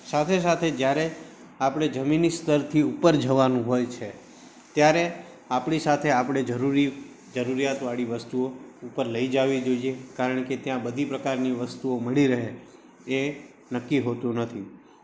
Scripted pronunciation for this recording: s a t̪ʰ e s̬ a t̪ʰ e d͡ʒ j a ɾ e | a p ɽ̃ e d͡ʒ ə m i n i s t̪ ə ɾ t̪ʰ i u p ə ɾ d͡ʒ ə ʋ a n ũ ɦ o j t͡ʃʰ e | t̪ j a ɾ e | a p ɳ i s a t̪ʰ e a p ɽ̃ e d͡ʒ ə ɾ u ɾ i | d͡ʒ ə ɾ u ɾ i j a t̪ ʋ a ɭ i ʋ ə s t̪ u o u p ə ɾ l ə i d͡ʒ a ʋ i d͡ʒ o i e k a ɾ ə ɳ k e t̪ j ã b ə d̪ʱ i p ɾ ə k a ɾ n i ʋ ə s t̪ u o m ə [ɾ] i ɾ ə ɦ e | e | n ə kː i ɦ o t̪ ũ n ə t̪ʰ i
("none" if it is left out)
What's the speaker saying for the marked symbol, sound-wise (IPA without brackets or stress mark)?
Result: ɭ